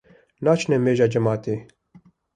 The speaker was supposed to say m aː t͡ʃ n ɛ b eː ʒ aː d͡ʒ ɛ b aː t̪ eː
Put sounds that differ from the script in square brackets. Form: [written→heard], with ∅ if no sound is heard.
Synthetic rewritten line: [m→n] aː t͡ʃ n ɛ [b→m] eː ʒ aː d͡ʒ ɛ [b→m] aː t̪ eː